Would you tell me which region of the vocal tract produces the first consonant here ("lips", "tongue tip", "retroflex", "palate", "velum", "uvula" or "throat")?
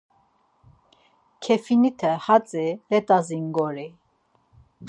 velum